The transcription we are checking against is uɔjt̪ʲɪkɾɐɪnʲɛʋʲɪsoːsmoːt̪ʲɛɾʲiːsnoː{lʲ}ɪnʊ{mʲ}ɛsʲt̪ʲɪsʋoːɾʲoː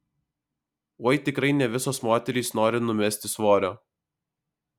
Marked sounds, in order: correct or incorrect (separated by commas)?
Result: incorrect, correct